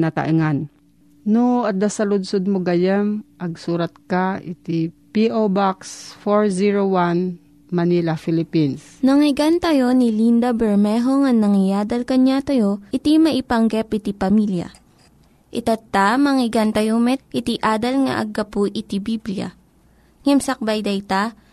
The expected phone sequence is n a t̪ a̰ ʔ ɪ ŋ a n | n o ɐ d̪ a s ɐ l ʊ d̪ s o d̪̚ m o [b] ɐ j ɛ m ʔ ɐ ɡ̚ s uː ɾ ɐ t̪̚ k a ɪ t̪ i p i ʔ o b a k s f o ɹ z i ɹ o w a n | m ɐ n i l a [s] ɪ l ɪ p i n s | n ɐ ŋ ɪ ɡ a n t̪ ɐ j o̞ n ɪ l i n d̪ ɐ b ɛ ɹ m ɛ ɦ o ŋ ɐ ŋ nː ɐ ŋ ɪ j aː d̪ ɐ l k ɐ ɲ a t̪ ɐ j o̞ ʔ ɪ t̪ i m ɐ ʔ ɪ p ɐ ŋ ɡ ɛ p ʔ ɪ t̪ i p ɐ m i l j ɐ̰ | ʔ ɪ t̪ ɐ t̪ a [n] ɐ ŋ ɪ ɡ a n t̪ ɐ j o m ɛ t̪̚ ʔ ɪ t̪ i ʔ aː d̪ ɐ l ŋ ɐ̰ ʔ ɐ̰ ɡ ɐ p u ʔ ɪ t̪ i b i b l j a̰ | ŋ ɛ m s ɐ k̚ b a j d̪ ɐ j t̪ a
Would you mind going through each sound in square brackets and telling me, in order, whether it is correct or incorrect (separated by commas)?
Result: incorrect, incorrect, incorrect